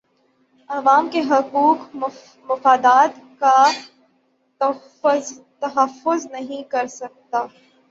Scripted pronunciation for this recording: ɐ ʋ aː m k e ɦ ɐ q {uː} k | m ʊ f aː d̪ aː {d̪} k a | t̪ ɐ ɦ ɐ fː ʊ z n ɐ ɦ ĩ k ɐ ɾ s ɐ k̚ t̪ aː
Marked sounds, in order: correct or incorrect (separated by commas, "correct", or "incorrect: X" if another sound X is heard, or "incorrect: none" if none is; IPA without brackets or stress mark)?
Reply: correct, incorrect: t̪